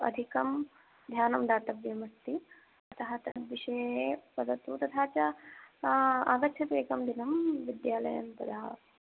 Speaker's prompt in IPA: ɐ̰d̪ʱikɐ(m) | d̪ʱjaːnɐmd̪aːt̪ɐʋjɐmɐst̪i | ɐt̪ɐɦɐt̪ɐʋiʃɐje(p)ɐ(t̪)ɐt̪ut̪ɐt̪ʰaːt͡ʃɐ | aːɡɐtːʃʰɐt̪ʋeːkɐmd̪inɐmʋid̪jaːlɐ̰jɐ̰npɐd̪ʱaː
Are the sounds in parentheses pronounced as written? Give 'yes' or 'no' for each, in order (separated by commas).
yes, yes, no